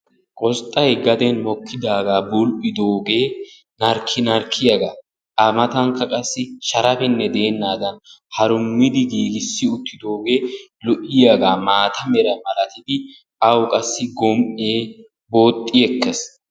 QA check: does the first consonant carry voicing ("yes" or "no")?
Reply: no